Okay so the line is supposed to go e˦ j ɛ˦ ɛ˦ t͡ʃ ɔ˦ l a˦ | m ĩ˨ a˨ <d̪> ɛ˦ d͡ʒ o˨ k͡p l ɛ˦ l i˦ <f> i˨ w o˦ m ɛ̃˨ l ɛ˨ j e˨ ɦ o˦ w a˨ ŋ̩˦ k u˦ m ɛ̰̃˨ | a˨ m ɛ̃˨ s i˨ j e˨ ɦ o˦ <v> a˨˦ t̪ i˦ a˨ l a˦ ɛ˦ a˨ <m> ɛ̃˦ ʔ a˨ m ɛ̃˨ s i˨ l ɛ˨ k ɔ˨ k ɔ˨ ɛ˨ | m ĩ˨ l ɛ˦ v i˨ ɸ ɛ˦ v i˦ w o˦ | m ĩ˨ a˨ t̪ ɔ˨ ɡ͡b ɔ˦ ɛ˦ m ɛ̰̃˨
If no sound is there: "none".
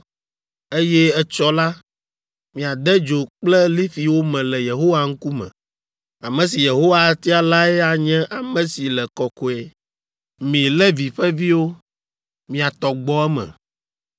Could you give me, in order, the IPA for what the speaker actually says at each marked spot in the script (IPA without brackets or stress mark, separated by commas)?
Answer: d̪, f, w, ɲ